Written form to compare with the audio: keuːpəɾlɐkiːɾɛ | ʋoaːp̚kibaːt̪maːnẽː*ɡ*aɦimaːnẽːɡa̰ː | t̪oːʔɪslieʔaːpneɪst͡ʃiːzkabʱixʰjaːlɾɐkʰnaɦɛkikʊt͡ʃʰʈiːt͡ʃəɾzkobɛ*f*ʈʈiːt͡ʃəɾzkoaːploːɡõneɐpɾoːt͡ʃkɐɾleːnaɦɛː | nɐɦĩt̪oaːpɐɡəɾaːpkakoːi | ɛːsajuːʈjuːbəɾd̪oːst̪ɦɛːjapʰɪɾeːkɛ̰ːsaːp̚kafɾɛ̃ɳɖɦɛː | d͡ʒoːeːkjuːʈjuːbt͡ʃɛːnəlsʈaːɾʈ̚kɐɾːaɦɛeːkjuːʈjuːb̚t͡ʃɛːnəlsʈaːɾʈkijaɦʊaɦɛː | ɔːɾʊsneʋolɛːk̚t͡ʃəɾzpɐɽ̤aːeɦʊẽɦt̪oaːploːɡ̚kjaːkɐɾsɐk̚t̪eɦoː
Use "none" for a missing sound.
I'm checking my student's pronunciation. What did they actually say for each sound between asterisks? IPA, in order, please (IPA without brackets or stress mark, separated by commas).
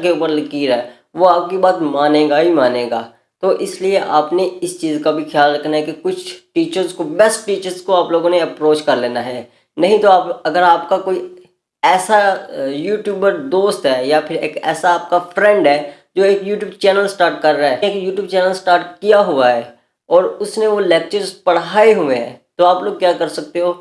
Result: ɡ, s